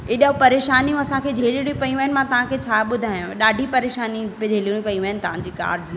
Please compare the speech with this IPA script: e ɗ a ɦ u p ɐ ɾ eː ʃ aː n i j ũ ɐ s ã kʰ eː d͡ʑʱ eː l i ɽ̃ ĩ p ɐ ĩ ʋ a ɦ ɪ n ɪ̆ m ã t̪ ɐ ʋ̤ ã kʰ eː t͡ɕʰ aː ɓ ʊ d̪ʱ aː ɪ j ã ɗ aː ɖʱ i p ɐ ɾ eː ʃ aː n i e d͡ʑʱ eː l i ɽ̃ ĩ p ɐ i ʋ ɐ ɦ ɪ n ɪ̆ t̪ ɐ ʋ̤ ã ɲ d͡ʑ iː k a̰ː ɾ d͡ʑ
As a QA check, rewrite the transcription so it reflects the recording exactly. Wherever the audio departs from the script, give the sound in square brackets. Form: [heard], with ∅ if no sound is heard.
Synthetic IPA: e ɗ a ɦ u p ɐ ɾ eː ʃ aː n i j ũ ɐ s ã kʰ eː d͡ʑʱ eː l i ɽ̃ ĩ p ɐ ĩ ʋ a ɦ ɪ n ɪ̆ m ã t̪ ɐ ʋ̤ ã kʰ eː t͡ɕʰ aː ɓ ʊ d̪ʱ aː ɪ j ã ɗ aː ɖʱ i p ɐ ɾ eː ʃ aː n i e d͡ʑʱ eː l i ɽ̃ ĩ p ɐ i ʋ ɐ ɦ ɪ n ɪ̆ t̪ ɐ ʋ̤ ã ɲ d͡ʑ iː k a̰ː ɾ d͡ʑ